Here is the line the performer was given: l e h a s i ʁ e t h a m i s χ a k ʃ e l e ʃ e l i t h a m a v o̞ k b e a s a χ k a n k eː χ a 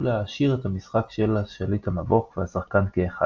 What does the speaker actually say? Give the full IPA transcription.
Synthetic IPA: l e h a ʃ i ʁ e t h a m i s χ a k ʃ e l a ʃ e l i t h a m a v o̞ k v e a s a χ k a n k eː χ a